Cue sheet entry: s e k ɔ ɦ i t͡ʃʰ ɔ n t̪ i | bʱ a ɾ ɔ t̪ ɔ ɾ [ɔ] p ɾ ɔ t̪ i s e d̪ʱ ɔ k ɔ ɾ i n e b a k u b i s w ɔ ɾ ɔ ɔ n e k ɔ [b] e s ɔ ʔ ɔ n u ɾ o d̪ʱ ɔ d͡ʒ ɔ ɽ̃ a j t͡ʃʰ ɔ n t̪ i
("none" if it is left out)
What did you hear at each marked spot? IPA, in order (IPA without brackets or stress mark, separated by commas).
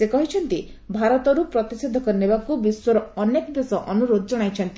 u, b